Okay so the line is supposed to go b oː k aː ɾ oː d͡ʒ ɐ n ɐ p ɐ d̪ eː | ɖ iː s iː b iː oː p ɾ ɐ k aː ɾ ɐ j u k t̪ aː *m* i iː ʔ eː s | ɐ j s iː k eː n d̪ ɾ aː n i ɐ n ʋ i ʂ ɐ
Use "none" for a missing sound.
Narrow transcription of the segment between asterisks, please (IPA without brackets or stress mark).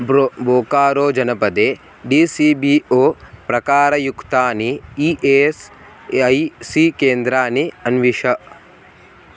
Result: n